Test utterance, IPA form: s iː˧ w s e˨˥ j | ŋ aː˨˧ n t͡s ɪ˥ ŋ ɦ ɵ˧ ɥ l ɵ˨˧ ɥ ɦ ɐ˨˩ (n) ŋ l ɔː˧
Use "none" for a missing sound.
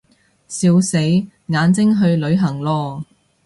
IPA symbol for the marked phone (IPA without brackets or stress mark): none